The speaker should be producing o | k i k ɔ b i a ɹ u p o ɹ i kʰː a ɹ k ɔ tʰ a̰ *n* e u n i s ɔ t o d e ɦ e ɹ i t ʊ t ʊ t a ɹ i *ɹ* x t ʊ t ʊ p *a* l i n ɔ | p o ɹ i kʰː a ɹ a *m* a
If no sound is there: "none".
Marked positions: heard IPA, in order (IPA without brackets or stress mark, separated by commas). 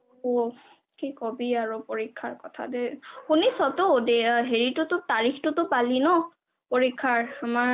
d, none, a, m